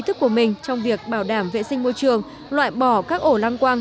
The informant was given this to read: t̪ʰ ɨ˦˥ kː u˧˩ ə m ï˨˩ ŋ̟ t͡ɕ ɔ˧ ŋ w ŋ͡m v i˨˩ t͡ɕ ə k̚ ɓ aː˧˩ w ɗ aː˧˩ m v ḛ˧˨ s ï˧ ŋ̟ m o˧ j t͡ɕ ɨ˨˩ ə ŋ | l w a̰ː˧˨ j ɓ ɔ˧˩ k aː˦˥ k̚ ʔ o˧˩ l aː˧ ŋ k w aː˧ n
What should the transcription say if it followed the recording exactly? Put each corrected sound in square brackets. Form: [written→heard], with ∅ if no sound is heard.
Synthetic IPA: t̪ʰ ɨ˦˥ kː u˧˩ ə m ï˨˩ ŋ̟ t͡ɕ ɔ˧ [ŋ→∅] w ŋ͡m v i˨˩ [t͡ɕ→∅] ə k̚ ɓ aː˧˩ w ɗ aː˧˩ m v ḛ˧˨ s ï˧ ŋ̟ m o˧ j t͡ɕ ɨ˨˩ ə ŋ | l w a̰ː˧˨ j ɓ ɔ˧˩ k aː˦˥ k̚ ʔ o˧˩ l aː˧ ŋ k w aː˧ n

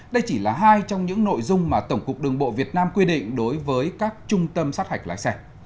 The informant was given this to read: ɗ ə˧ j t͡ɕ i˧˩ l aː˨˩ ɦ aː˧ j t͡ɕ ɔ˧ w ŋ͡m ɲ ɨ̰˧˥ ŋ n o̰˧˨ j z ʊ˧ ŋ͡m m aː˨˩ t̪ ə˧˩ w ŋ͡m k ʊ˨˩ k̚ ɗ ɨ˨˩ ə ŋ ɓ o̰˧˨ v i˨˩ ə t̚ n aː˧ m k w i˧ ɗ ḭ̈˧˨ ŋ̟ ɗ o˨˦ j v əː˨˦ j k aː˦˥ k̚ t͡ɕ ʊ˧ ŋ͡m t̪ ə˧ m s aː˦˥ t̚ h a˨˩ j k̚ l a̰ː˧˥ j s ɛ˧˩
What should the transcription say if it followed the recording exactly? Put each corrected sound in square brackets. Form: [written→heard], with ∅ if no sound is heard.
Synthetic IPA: ɗ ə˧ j t͡ɕ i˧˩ l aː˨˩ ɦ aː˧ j t͡ɕ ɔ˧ w ŋ͡m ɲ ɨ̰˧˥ ŋ n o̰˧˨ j z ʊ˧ ŋ͡m m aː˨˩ t̪ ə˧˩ w ŋ͡m k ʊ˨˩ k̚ ɗ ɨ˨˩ ə ŋ ɓ o̰˧˨ v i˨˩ ə t̚ n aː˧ m k w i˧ ɗ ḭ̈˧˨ ŋ̟ ɗ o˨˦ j v əː˨˦ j k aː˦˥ k̚ t͡ɕ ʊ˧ ŋ͡m t̪ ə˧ m s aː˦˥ t̚ h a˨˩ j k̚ l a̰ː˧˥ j s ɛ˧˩

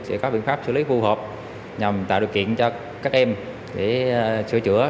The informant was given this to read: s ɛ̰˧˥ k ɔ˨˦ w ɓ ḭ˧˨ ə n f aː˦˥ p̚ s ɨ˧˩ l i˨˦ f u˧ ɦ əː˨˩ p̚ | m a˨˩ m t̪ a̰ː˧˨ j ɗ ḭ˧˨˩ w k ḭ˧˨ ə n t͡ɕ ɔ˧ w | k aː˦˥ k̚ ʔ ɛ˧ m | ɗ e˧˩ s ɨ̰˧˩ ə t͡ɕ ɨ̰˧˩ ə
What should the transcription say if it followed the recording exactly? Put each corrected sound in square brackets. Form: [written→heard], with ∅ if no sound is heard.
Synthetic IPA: s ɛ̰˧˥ k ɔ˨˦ [w→∅] ɓ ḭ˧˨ ə n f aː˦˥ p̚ s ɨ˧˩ l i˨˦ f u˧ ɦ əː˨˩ p̚ | [m→ɲ] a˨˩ m t̪ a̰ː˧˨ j ɗ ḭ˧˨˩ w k ḭ˧˨ ə n t͡ɕ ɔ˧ [w→∅] | k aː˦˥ k̚ ʔ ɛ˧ m | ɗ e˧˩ s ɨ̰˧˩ ə t͡ɕ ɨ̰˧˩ ə

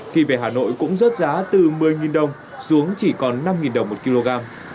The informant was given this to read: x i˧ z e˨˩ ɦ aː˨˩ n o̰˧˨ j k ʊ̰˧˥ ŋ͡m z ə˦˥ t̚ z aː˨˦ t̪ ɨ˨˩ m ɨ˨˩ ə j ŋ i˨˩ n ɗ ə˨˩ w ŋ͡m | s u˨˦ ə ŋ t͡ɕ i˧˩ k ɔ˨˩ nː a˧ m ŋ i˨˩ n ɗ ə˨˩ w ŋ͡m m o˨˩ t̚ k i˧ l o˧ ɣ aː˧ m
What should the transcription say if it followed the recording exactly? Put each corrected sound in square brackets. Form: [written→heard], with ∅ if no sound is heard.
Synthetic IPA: x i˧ [z→v] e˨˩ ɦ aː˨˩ n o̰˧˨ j k ʊ̰˧˥ ŋ͡m z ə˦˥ t̚ z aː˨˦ t̪ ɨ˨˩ m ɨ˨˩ ə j ŋ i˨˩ n ɗ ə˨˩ w ŋ͡m | s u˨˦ ə ŋ t͡ɕ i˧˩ k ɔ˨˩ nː a˧ m ŋ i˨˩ n ɗ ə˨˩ w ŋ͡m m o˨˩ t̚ k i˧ l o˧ ɣ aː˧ m

